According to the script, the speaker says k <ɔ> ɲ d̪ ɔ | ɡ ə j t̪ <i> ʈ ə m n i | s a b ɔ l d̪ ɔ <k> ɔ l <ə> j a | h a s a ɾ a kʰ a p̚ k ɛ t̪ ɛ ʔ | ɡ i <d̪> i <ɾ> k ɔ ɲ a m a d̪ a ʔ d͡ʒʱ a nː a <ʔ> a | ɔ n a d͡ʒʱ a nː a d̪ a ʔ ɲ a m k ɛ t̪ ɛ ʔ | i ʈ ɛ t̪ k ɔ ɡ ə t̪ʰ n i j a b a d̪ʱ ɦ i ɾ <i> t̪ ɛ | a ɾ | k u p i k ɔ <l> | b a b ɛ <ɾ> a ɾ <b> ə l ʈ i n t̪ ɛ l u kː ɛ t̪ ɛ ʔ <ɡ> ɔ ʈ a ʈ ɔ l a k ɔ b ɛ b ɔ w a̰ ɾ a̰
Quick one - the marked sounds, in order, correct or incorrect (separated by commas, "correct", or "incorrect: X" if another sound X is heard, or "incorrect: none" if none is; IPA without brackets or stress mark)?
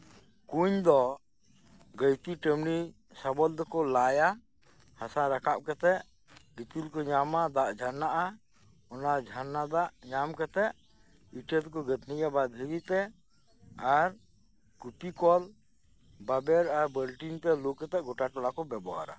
incorrect: u, correct, correct, incorrect: a, incorrect: t̪, incorrect: l, correct, correct, correct, correct, correct, correct